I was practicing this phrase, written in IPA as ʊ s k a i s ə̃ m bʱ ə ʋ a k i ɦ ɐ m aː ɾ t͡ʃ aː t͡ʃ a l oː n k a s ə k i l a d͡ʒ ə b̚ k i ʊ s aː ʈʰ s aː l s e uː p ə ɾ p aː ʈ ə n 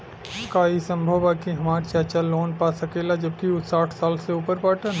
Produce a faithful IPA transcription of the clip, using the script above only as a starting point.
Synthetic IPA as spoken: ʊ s k a i s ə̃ m bʱ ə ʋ a k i ɦ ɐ m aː ɾ t͡ʃ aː t͡ʃ a l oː n p a s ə k e l a d͡ʒ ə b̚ k i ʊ s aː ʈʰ s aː l s e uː p ə ɾ p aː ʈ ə n